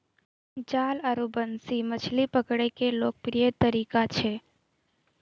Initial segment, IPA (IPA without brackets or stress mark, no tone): d͡ʒ